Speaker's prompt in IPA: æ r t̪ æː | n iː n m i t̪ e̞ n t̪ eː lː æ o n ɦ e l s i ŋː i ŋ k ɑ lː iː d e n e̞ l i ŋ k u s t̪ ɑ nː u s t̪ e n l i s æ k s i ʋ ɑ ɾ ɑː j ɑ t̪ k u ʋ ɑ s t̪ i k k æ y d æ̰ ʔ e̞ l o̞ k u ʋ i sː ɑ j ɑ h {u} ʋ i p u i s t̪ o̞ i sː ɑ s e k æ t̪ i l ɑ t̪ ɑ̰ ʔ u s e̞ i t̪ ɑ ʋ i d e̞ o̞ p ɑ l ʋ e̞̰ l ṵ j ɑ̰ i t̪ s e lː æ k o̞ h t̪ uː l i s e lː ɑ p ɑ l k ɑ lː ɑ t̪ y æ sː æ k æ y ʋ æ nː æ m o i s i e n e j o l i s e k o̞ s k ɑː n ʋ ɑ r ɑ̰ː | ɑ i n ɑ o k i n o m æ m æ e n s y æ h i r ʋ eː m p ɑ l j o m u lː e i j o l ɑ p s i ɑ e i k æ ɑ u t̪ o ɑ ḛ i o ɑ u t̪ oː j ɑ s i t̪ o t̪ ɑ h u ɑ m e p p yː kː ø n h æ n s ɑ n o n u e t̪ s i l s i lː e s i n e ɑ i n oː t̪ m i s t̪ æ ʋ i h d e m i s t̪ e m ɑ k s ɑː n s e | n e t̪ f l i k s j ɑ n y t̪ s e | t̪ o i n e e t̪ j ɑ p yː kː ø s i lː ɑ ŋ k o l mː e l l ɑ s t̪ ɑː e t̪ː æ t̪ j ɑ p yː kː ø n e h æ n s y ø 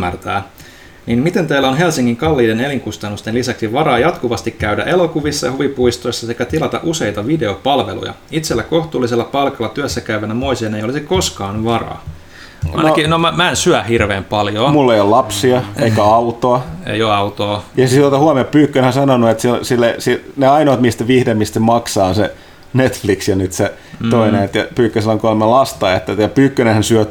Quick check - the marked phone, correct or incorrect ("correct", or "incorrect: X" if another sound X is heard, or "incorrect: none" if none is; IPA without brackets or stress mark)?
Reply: correct